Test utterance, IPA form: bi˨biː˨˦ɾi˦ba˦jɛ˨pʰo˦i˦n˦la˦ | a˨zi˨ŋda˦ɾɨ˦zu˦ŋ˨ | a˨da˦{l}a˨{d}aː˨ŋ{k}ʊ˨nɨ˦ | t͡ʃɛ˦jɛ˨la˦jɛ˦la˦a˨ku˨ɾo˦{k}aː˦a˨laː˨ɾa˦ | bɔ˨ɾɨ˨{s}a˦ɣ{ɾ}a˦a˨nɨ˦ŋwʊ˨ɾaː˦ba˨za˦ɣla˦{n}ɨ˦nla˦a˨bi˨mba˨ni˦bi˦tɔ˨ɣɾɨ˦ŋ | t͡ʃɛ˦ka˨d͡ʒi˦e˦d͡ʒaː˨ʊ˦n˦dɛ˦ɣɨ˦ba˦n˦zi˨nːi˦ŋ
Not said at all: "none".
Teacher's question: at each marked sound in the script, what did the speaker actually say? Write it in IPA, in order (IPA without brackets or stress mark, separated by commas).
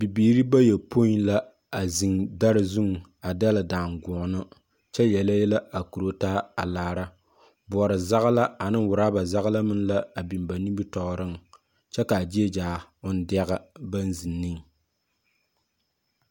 l, d, ɡ, t, z, l, m